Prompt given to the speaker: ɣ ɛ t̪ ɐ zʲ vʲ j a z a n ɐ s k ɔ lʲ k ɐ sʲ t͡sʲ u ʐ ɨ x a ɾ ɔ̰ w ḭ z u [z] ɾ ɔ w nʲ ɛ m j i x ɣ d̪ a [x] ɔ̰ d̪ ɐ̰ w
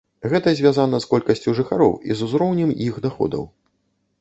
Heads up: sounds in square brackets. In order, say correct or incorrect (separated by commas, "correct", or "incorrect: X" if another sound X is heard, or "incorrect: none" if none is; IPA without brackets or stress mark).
correct, correct